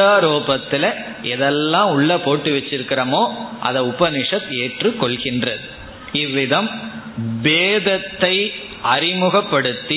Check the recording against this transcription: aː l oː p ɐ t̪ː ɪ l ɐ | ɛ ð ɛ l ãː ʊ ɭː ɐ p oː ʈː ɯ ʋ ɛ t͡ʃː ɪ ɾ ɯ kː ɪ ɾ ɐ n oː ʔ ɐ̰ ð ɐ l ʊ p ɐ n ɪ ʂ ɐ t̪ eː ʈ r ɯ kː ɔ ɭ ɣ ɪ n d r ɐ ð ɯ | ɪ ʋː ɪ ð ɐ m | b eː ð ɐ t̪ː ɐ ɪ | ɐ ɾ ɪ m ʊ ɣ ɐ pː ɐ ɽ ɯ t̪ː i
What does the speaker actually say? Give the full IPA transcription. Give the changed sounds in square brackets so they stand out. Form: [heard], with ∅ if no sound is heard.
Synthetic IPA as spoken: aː [ɾ] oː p ɐ t̪ː ɪ l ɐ | ɛ ð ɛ [lː] ãː ʊ ɭː ɐ p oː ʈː ɯ ʋ ɛ t͡ʃː ɪ ɾ ɯ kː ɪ ɾ ɐ [m] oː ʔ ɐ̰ ð ɐ [∅] ʊ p ɐ n ɪ ʂ ɐ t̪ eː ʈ r ɯ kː ɔ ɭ ɣ ɪ n d r ɐ ð ɯ | ɪ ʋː ɪ ð ɐ m | b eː ð ɐ t̪ː ɐ ɪ | ɐ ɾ ɪ m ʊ ɣ ɐ pː ɐ ɽ ɯ t̪ː i